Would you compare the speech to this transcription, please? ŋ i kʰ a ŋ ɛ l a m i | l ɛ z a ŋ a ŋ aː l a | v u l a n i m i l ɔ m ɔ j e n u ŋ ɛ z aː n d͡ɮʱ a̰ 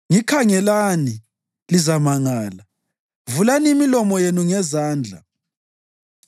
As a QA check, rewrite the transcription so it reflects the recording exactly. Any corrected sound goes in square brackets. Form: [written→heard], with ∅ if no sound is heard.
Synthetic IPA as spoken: ŋ i kʰ a ŋ ɛ l a [m→n] i | l [ɛ→i] z a [ŋ→m] a ŋ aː l a | v u l a n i m i l ɔ m ɔ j e n u ŋ ɛ z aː n d͡ɮʱ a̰